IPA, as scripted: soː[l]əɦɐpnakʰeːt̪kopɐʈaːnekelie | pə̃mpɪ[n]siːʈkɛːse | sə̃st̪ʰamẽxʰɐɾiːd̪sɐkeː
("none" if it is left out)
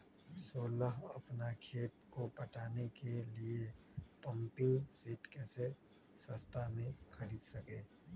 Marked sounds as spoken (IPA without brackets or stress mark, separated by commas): l, ŋ